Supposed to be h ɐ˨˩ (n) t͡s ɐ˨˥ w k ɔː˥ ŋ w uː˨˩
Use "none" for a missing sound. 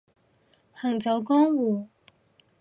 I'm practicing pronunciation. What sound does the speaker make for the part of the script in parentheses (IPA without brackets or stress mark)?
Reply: ŋ